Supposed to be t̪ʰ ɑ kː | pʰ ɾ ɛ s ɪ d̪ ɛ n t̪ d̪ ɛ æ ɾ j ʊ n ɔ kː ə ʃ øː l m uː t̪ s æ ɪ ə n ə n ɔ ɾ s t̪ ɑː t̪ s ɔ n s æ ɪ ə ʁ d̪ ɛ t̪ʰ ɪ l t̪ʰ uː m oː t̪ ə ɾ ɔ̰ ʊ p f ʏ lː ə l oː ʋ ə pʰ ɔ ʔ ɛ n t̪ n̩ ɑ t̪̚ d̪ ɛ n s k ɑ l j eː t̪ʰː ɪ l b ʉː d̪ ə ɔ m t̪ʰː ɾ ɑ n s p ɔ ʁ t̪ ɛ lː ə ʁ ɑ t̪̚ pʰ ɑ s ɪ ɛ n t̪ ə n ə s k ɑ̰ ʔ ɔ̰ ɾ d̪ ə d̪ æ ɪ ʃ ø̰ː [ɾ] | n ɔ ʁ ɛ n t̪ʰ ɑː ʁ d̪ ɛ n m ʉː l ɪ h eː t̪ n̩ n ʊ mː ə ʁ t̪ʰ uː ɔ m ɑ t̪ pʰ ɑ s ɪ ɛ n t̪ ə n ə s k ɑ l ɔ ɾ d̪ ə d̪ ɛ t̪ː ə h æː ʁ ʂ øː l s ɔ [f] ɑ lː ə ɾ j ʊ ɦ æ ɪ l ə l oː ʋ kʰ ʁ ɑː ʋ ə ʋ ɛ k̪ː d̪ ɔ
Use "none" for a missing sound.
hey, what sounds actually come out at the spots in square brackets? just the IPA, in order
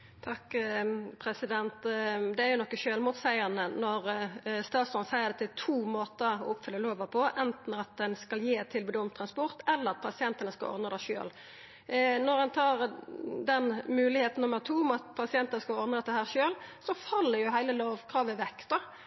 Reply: l, f

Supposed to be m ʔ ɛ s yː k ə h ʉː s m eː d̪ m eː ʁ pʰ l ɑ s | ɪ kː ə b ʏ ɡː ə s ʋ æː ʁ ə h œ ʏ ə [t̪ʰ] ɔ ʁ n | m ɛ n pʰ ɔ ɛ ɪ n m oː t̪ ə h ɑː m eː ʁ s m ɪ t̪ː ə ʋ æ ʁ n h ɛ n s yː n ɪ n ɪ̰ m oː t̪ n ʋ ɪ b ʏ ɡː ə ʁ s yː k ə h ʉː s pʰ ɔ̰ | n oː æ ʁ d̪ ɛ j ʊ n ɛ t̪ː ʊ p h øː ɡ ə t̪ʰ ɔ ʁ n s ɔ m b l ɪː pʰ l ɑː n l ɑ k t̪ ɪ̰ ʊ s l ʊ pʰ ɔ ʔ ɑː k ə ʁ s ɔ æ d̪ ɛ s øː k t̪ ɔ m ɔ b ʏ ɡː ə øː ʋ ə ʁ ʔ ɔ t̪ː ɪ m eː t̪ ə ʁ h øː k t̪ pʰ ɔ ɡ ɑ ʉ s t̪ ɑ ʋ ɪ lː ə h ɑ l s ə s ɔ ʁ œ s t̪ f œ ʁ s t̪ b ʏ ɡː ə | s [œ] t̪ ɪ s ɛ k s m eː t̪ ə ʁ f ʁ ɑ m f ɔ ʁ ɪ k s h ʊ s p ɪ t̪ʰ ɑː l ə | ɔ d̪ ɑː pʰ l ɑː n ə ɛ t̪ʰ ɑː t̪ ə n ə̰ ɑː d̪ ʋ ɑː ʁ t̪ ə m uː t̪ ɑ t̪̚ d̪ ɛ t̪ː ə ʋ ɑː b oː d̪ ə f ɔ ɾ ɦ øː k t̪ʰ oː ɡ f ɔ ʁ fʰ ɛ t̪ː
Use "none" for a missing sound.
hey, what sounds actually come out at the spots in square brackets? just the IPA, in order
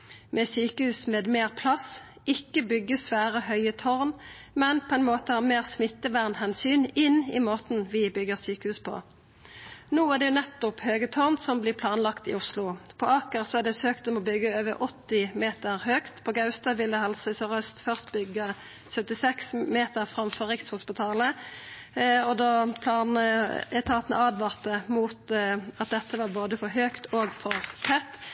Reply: t̪ʰ, œ

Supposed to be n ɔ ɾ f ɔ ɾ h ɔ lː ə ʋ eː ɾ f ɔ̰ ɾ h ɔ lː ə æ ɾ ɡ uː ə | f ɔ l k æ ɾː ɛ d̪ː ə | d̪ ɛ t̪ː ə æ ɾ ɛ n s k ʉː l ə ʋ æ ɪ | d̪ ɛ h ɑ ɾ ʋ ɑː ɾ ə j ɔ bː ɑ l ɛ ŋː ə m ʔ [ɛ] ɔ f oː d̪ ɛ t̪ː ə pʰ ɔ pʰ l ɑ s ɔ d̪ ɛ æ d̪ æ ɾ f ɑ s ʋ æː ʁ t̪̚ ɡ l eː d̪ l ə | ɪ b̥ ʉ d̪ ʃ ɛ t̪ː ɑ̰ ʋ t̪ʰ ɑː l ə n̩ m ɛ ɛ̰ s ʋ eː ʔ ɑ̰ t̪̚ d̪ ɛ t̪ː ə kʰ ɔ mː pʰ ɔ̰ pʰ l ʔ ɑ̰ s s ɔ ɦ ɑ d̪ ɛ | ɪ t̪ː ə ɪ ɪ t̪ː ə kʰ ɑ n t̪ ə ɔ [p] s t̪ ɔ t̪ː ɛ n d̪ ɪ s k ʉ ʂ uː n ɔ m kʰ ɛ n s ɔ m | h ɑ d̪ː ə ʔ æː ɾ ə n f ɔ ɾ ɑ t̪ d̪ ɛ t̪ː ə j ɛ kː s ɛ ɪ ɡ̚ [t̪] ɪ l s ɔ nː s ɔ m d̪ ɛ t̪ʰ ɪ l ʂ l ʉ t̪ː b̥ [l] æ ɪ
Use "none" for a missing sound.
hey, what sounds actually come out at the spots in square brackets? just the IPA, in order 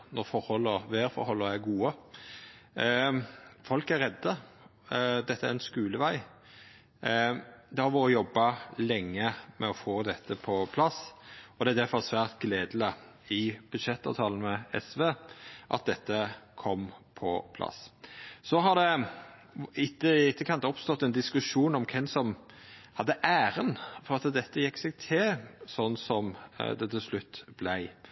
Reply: ɛ, p, t̪ʰ, l

